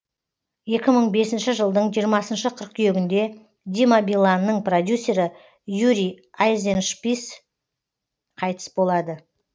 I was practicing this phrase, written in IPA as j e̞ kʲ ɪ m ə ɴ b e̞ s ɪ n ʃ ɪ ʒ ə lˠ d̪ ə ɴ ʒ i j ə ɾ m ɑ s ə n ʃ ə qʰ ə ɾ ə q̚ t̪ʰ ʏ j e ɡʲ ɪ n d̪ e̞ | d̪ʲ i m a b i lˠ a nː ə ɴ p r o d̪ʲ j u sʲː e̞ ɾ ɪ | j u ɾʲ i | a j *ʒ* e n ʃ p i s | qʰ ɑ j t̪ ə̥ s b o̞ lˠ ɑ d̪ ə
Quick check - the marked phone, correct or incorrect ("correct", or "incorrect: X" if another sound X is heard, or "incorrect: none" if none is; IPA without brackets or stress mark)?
incorrect: z